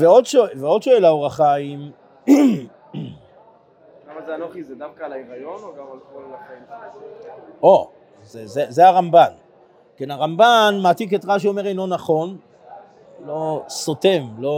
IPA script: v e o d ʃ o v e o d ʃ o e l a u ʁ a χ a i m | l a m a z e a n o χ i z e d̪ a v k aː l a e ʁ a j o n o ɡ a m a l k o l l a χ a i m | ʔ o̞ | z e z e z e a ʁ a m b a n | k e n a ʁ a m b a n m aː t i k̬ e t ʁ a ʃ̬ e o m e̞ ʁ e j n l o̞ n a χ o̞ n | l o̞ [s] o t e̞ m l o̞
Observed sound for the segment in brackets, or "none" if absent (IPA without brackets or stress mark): s